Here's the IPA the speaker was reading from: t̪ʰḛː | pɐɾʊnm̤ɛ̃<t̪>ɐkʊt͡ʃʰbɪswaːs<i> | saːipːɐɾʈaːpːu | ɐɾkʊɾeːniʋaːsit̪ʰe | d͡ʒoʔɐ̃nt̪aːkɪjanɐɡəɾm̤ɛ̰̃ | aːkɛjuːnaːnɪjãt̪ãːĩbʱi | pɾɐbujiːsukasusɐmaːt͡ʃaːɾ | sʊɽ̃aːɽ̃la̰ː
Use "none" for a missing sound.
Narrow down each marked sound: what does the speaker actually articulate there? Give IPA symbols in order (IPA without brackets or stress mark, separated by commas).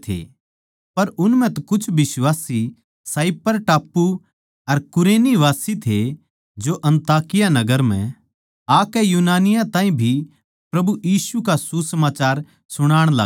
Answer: t̪, i